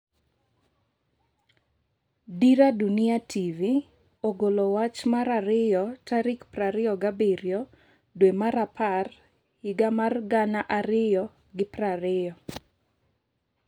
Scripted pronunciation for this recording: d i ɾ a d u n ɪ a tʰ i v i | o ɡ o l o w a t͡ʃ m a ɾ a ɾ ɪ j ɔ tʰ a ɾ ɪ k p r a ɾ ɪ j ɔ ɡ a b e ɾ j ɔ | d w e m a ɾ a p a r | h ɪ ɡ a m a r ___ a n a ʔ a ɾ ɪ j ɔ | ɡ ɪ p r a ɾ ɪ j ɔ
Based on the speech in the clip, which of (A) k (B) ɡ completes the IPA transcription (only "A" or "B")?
B